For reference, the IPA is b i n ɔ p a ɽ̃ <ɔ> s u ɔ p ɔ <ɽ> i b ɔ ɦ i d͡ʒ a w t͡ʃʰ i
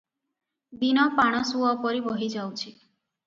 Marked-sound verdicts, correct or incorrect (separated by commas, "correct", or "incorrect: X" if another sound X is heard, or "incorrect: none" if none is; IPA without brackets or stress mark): correct, incorrect: ɾ